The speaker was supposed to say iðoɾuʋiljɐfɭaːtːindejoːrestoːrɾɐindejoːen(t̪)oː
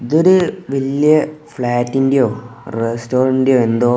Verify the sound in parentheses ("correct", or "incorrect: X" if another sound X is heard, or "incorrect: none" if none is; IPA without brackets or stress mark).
incorrect: d̪